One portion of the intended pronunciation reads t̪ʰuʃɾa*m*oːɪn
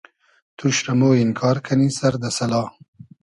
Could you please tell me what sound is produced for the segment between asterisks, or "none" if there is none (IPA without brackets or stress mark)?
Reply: m